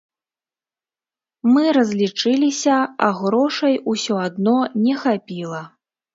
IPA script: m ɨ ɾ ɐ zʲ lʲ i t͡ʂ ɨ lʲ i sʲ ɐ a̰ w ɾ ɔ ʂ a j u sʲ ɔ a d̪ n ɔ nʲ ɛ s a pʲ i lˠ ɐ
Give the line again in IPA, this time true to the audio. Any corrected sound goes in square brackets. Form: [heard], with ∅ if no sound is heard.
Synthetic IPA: m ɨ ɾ ɐ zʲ lʲ i t͡ʂ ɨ lʲ i sʲ ɐ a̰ [ɣ] ɾ ɔ ʂ [ɐ] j u sʲ ɔ a d̪ n ɔ nʲ ɛ [x] a pʲ i lˠ ɐ

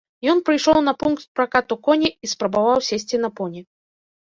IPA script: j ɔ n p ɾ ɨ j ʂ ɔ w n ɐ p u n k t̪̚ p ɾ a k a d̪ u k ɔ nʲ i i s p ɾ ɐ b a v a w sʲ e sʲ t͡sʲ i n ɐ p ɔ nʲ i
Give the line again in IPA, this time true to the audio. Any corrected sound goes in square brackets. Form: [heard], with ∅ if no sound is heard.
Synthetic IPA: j ɔ n p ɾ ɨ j ʂ ɔ w n ɐ p u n k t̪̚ p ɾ a k a [t̪] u k ɔ nʲ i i s p ɾ ɐ b a v a w sʲ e sʲ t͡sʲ i n ɐ p ɔ nʲ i

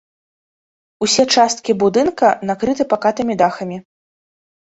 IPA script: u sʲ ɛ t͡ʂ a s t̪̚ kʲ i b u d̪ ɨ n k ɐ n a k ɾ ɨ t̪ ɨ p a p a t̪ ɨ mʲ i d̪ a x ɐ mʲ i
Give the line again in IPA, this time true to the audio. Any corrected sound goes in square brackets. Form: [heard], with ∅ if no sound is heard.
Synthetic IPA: u sʲ ɛ t͡ʂ a s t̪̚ kʲ i b u d̪ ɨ n k ɐ n a k ɾ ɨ t̪ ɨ p a [k] a t̪ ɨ mʲ i d̪ a x ɐ mʲ i

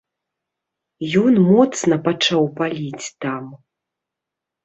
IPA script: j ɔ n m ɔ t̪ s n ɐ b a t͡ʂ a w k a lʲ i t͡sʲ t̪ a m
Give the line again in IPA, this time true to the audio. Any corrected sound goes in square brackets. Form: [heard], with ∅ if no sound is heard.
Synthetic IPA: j ɔ n m ɔ t̪ s n ɐ [p] a t͡ʂ a w [p] a lʲ i t͡sʲ t̪ a m

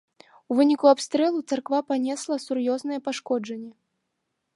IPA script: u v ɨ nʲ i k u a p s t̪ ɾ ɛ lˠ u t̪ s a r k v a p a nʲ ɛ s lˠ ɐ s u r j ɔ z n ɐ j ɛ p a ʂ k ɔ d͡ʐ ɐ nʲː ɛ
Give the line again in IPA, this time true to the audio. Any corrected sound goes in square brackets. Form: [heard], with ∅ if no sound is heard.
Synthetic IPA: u v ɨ nʲ i k u a p s t̪ ɾ ɛ lˠ u t̪ s a r k v a p a nʲ ɛ s lˠ ɐ s u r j ɔ z n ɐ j ɛ p a ʂ k ɔ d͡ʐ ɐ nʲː ɛ

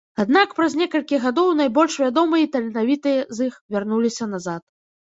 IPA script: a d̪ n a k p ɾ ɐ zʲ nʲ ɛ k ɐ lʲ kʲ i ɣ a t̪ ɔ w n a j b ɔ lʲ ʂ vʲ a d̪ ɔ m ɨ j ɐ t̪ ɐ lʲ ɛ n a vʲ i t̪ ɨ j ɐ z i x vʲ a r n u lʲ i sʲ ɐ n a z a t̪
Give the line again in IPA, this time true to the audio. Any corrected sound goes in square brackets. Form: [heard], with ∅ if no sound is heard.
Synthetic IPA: a d̪ n a k p ɾ ɐ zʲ nʲ ɛ k ɐ lʲ kʲ i ɣ a [d̪] ɔ w n a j b ɔ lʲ ʂ vʲ a d̪ ɔ m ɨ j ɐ t̪ ɐ lʲ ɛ n a vʲ i t̪ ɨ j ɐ z i x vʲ a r n u lʲ i sʲ ɐ n a z a t̪

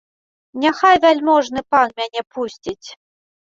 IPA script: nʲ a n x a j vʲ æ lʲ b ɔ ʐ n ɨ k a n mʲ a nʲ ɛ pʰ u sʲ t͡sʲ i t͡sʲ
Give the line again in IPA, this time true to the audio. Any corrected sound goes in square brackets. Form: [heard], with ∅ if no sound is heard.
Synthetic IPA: nʲ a [∅] x a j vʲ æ lʲ [m] ɔ ʐ n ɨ [p] a n mʲ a nʲ ɛ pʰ u sʲ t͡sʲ i t͡sʲ

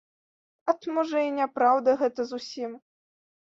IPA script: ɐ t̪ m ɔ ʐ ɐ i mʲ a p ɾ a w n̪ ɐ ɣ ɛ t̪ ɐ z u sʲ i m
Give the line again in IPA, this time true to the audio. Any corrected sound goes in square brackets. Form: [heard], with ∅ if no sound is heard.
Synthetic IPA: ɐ t̪ m ɔ ʐ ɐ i [nʲ] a p ɾ a w [d̪] ɐ ɣ ɛ t̪ ɐ z u sʲ i m

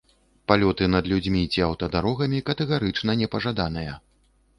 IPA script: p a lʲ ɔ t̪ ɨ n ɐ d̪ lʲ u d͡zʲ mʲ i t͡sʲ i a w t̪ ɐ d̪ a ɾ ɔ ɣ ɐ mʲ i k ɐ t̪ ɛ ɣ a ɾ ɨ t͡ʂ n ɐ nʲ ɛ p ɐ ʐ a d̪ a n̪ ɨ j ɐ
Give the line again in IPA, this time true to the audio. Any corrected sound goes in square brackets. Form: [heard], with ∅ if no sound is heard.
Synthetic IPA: p a lʲ ɔ t̪ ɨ n ɐ d̪ lʲ u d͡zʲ mʲ i t͡sʲ i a w t̪ ɐ d̪ a ɾ ɔ ɣ ɐ mʲ i k ɐ t̪ ɛ ɣ a ɾ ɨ t͡ʂ n ɐ nʲ ɛ p ɐ ʐ a d̪ a n̪ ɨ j ɐ

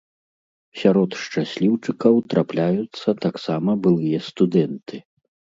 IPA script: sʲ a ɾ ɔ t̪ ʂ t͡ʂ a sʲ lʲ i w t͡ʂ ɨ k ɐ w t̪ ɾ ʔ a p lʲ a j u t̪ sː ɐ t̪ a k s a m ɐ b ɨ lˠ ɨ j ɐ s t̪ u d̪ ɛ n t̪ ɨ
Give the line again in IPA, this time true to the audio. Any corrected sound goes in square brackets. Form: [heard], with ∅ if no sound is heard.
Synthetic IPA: sʲ a ɾ ɔ t̪ ʂ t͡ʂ a sʲ lʲ i w t͡ʂ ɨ k ɐ w t̪ ɾ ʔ a p lʲ a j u t̪ sː ɐ t̪ a k s a m ɐ b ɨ lˠ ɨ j ɐ s t̪ u d̪ ɛ n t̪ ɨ

